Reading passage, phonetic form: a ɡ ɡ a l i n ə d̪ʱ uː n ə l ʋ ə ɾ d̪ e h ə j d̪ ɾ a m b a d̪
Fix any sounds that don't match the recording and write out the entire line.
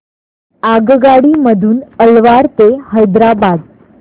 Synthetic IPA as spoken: a ɡ ɡ a ɽ i m ə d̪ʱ uː n ə l ʋ a ɾ t̪ e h ə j d̪ ɾ a b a d̪

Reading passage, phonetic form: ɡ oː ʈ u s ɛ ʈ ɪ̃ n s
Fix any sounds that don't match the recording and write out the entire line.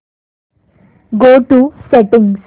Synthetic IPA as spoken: ɡ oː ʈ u s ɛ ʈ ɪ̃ ŋ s

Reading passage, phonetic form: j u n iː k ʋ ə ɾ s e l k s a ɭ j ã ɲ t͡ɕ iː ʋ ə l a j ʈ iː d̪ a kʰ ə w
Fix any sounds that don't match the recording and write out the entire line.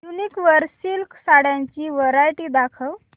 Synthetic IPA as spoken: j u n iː k ʋ ə ɾ s i l k s a ɽ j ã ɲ t͡ɕ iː ʋ ə ɾ a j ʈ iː d̪ a kʰ ə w

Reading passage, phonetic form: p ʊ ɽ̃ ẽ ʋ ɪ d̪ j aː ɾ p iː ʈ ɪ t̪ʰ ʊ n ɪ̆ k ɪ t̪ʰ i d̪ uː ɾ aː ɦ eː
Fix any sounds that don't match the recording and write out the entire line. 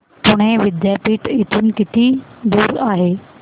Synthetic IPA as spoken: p ʊ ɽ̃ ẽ ʋ ɪ d̪ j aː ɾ p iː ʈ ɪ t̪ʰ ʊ n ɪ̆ k ɪ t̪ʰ i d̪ uː ɾ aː ɦ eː

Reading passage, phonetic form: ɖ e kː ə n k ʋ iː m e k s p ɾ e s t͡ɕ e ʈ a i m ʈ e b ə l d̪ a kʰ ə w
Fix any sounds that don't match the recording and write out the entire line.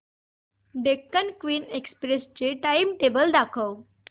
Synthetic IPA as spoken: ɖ e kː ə n k ʋ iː n e k s p ɾ e s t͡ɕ e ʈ a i m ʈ e b ə l d̪ a kʰ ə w

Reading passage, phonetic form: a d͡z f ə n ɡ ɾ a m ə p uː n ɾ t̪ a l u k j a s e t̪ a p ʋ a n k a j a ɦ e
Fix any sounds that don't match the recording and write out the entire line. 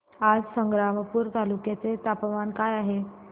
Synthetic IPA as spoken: a d͡z s ə ŋ ɡ ɾ a m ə p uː ɾ t̪ a l u k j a t͡s e t̪ a p ʋ a n k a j a ɦ e

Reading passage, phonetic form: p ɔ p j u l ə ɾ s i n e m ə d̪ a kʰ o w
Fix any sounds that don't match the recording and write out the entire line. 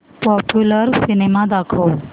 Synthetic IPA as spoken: p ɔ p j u l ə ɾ s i n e m a d̪ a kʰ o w

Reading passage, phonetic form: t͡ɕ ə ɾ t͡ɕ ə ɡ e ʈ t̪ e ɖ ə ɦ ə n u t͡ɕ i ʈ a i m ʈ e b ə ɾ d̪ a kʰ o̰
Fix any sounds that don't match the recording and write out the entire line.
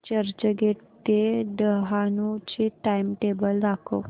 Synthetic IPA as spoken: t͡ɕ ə ɾ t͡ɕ ə ɡ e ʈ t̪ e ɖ ə ɦ a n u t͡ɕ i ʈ a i m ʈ e b ə l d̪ a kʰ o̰

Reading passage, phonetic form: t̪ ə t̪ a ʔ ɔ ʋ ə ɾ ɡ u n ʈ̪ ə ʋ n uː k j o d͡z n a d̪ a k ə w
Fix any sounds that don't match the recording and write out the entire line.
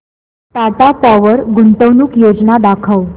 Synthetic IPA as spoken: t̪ a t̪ a p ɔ ʋ ə ɾ ɡ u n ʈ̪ ə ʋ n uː k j o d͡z n a d̪ a kʰ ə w

